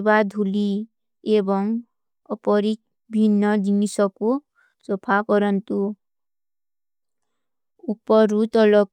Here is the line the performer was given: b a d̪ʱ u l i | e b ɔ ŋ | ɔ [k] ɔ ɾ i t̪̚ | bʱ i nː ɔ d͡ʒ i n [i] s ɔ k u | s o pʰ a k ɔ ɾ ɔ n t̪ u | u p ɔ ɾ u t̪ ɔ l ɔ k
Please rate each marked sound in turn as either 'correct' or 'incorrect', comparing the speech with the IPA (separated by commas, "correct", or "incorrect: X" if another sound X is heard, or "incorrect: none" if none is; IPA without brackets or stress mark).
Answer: incorrect: p, correct